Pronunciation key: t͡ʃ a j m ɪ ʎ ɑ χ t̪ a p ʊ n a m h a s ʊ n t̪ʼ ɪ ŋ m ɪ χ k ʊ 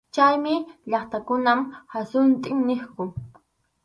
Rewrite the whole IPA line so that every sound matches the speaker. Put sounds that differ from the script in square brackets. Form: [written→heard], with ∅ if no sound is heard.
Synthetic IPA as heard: t͡ʃ a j m ɪ ʎ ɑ χ t̪ a [p→k] ʊ n a m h a s ʊ n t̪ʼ ɪ ŋ [m→n] ɪ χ k ʊ